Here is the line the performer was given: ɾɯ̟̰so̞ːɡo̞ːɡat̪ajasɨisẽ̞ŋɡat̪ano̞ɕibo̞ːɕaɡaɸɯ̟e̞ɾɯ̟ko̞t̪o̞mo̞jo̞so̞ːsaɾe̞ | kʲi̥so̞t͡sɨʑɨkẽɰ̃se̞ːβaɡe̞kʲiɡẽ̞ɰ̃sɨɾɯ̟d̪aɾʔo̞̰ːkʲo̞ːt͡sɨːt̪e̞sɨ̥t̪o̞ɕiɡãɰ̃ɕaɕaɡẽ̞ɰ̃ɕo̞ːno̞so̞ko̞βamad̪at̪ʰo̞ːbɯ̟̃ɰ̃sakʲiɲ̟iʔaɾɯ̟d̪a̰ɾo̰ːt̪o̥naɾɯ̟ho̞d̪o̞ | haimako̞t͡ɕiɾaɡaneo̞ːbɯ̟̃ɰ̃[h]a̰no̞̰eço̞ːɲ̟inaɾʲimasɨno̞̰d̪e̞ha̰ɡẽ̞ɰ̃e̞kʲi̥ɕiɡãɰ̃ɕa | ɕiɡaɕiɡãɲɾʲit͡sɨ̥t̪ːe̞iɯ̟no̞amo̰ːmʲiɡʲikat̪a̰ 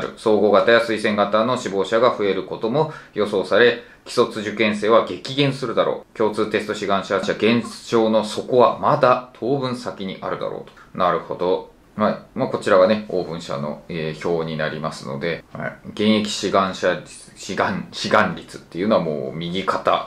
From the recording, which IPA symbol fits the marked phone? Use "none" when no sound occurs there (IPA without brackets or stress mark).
ɕ